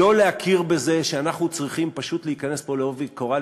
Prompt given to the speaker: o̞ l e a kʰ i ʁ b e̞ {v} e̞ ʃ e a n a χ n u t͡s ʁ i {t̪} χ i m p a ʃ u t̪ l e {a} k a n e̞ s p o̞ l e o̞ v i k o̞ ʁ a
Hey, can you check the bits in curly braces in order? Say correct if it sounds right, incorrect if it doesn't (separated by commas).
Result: incorrect, incorrect, incorrect